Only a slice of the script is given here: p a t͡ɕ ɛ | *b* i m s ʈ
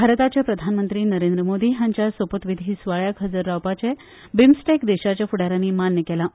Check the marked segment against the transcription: correct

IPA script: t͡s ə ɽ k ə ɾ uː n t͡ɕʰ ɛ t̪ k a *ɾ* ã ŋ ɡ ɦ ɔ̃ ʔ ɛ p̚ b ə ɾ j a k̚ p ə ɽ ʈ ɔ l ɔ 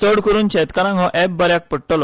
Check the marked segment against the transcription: correct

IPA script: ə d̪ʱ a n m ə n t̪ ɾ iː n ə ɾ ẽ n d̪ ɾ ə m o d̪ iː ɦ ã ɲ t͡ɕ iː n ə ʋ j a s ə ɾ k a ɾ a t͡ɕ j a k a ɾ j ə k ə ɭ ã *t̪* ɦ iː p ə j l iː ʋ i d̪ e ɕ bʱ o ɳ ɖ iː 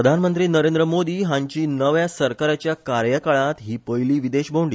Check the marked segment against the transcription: correct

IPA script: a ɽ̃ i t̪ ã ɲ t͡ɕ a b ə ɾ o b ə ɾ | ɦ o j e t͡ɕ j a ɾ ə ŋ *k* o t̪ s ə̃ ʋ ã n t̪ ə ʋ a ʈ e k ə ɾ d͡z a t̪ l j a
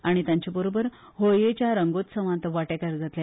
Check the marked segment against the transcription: incorrect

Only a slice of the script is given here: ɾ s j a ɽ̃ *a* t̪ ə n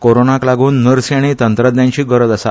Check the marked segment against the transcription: incorrect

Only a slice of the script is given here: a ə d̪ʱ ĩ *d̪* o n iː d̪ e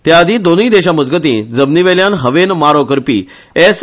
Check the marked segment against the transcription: correct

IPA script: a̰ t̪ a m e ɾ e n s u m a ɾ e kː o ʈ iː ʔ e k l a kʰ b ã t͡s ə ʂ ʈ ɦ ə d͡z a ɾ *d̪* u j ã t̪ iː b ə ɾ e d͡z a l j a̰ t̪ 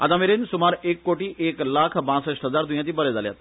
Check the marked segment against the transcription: correct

